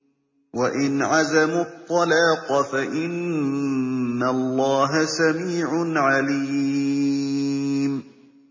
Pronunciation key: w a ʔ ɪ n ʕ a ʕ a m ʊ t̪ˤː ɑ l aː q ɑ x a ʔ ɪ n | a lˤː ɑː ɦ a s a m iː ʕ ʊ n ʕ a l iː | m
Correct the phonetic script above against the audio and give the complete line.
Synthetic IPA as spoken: w a ʔ ɪ n ʕ a z a m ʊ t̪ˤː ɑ l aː q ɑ f a ʔ ɪ n | a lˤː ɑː ɦ a s a m iː ʕ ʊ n ʕ a l iː | m